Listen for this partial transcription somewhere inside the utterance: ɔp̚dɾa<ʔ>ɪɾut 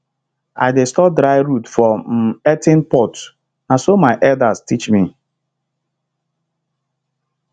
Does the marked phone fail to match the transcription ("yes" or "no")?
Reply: yes